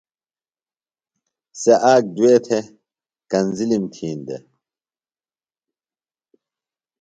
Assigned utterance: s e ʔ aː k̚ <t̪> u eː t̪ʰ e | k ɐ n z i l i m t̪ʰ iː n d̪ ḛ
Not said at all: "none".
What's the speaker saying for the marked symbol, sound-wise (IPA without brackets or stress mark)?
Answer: d̪